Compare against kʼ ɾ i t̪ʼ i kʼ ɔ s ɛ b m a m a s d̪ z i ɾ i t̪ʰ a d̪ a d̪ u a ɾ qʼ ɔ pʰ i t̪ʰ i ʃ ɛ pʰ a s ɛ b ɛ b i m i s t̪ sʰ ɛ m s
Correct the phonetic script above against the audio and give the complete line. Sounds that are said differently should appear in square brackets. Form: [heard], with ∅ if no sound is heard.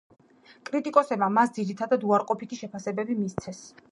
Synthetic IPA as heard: kʼ ɾ i t̪ʼ i kʼ ɔ s ɛ b m a m a s d̪ z i ɾ i t̪ʰ a d̪ a d̪ u a ɾ qʼ ɔ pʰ i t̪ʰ i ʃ ɛ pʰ a s ɛ b ɛ b i m i s t̪ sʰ ɛ [∅] s